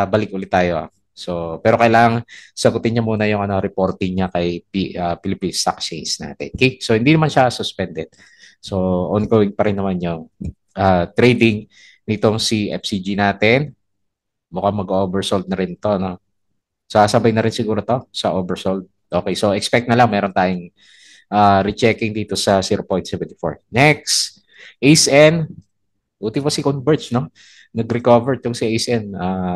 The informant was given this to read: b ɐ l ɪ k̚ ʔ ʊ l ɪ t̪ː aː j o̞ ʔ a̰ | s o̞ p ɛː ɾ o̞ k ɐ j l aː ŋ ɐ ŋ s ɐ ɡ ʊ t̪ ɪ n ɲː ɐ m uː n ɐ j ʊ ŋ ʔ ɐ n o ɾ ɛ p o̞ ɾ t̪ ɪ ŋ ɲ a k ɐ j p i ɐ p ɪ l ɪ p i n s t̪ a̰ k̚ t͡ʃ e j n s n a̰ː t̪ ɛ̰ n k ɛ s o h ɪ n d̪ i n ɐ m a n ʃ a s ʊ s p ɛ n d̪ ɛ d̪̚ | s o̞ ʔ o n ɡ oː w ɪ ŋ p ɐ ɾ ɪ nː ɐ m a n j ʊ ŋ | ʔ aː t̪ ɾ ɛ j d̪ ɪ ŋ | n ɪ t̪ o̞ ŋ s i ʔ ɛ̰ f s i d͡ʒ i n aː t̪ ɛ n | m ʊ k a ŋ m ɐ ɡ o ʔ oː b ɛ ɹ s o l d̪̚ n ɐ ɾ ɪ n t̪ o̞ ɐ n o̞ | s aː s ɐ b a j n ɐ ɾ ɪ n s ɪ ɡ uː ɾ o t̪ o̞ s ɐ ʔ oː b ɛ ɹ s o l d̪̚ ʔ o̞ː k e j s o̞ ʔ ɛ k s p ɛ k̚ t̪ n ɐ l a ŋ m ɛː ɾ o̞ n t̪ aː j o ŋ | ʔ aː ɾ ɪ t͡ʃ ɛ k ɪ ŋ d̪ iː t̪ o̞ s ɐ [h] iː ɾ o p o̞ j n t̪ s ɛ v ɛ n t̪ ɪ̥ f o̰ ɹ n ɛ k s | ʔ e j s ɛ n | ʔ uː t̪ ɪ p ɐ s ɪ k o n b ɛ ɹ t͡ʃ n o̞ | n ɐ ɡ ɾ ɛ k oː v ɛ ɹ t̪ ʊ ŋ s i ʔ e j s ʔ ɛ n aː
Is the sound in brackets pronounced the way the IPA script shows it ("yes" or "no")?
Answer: no